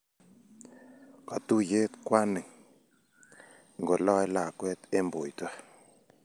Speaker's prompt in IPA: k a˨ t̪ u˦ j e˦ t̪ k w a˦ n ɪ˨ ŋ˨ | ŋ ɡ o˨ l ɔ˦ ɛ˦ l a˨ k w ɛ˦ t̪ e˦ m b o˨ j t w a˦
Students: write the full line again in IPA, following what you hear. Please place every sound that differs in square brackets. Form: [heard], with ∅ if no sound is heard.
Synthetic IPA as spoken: k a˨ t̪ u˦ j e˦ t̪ k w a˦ n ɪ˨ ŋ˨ | ŋ ɡ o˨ l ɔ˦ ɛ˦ l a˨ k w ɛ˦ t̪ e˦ m b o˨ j t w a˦

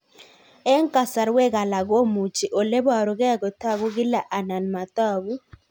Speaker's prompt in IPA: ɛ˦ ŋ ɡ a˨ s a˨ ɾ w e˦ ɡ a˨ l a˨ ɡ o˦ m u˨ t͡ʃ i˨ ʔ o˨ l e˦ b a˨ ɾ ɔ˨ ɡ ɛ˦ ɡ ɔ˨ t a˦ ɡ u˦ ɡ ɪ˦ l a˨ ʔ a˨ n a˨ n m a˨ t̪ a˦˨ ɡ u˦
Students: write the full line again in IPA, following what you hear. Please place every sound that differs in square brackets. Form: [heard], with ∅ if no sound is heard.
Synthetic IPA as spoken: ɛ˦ ŋ [k] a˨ s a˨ ɾ w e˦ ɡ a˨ l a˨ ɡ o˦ m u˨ t͡ʃ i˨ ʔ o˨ l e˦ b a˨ ɾ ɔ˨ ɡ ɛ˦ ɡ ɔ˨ t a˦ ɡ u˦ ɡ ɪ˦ l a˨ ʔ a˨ n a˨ n m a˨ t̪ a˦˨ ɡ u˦

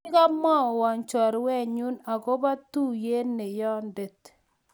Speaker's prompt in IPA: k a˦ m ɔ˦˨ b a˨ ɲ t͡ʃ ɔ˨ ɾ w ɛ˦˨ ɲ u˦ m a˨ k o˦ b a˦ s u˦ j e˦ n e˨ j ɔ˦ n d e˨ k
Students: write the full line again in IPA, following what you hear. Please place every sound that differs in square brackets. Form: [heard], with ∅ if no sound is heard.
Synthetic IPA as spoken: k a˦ m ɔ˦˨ [w] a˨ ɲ t͡ʃ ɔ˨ ɾ w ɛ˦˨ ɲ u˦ [n] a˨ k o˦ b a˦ [t] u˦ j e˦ n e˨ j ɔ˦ n d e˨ [t]

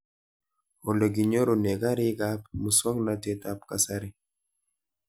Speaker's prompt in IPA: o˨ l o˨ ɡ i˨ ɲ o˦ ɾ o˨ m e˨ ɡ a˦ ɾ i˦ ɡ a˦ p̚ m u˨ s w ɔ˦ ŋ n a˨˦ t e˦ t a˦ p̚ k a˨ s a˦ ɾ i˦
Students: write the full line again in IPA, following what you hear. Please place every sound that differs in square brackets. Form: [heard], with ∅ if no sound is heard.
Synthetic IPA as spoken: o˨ l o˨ ɡ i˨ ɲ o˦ ɾ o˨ [n] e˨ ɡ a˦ ɾ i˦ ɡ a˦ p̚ m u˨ s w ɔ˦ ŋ n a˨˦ t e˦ t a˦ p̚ k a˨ s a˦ ɾ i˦

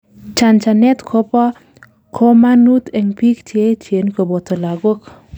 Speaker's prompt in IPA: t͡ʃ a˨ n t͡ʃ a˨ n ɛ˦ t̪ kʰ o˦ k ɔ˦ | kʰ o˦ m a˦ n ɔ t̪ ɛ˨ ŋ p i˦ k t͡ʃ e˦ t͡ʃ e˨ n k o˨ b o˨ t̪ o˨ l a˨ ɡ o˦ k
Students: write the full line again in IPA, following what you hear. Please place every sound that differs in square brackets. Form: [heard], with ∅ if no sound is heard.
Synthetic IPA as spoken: t͡ʃ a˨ n t͡ʃ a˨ n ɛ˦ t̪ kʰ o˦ [p] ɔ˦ | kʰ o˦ m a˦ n [u] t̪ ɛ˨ ŋ p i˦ k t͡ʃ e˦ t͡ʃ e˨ n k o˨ b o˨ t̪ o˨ l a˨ ɡ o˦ k

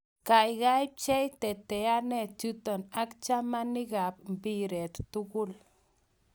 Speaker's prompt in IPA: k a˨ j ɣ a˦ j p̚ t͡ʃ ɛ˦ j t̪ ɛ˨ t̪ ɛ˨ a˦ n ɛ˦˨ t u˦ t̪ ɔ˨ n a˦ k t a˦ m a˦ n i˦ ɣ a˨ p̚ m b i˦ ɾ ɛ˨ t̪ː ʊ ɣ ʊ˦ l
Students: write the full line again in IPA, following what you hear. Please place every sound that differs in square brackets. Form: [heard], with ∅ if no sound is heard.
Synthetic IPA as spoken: k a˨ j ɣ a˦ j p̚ t͡ʃ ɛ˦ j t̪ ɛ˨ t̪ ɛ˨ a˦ n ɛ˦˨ [t͡ʃ] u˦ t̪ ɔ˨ n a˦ k [t͡ʃ] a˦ m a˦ n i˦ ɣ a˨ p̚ m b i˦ ɾ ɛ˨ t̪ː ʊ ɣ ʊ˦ l

